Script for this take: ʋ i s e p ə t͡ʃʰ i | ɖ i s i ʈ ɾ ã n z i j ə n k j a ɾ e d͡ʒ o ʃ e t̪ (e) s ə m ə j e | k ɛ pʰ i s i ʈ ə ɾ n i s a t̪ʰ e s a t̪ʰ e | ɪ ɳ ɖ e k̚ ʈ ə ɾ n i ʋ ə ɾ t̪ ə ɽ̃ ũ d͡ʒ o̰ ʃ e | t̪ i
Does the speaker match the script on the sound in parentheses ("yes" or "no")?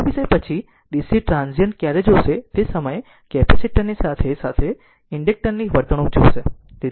yes